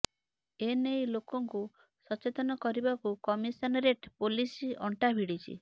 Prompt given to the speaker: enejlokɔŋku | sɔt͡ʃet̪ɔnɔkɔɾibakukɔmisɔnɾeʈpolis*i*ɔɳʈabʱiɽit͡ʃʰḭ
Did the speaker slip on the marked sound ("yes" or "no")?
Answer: no